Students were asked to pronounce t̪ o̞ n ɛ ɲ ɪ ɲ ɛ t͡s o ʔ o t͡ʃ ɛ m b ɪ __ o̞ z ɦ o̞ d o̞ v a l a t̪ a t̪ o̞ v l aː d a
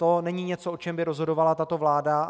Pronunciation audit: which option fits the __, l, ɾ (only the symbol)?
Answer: ɾ